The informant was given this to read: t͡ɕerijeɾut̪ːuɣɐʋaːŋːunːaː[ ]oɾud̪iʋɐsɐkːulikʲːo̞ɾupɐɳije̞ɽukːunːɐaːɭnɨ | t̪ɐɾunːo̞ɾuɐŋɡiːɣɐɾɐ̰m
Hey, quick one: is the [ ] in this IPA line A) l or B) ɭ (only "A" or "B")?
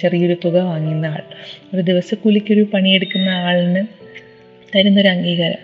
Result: B